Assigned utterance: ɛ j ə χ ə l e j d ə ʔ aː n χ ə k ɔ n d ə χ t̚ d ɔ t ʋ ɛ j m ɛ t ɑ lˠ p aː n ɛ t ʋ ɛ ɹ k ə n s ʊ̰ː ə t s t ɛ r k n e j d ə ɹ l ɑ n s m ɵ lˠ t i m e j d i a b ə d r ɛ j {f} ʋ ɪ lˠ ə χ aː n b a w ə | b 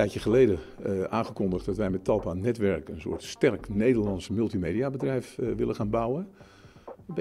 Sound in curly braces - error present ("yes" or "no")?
no